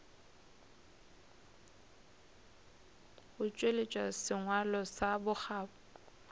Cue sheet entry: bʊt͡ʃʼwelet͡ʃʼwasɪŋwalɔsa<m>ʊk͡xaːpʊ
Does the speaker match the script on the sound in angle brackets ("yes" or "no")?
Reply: no